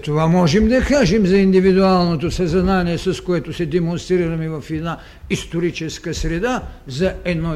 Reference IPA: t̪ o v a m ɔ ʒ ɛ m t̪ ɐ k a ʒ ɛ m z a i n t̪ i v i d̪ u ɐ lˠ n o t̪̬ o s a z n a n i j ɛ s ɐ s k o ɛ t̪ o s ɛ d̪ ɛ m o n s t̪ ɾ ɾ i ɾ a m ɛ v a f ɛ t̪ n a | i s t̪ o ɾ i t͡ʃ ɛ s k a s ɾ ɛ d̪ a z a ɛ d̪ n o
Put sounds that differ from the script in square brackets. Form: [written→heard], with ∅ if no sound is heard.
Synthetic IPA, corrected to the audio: t̪ o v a m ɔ ʒ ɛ m [t̪→d̪] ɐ k a ʒ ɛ m z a i n [t̪→d̪] i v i d̪ u [ɐ→a] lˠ n o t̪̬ o s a z n a n i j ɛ s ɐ s k o ɛ t̪ o s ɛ d̪ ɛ m o n s t̪ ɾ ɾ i ɾ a m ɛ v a f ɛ [t̪→d̪] n a | i s t̪ o ɾ i t͡ʃ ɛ s k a s ɾ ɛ d̪ a z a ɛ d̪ n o